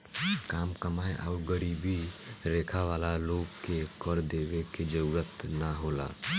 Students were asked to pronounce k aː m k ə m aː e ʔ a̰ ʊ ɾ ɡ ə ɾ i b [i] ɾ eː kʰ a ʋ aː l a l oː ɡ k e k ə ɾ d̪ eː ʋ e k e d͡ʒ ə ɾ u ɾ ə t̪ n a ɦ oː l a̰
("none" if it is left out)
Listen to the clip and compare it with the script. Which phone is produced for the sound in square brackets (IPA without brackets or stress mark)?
i